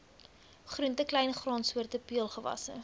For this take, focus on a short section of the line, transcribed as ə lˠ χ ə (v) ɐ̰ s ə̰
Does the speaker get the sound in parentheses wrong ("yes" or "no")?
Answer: no